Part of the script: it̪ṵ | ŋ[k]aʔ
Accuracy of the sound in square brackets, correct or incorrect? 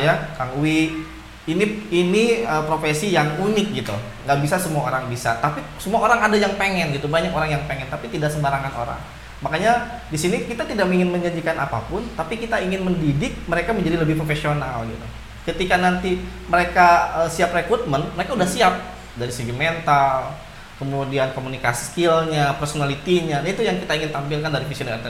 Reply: incorrect